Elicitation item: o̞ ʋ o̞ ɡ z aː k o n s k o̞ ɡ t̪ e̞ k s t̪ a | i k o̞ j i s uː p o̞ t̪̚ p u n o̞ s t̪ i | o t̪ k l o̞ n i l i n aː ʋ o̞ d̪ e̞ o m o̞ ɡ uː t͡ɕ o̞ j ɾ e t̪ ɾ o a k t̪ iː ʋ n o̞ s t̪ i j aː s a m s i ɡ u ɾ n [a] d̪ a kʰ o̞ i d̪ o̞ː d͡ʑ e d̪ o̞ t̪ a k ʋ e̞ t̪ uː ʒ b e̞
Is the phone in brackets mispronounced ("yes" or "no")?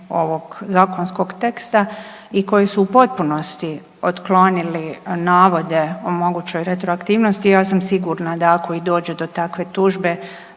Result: no